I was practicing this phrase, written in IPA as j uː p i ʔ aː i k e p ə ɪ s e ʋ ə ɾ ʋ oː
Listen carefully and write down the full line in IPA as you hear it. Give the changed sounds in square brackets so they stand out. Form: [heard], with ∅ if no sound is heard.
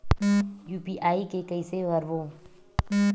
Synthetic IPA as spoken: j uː p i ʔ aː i k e [k] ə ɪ s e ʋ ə ɾ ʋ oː